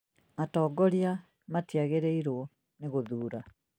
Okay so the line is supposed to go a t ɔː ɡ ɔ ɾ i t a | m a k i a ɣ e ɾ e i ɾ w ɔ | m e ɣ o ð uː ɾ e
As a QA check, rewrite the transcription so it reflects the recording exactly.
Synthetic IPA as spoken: a t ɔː ɡ ɔ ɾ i a | m a t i a ɣ e ɾ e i ɾ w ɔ | n e ɣ o ð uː ɾ a